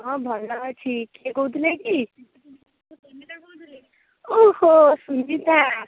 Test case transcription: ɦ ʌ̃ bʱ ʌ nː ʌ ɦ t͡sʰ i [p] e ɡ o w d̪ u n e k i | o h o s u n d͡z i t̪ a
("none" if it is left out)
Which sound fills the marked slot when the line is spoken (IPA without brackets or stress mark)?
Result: k